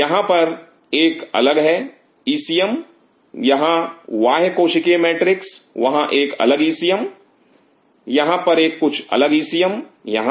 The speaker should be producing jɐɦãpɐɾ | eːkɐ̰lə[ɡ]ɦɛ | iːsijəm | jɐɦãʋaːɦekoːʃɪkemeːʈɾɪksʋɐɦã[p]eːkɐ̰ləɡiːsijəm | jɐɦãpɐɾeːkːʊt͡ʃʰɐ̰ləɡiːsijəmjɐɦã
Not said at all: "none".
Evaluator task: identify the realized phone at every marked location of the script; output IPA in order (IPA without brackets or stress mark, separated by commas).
ɡ, ʔ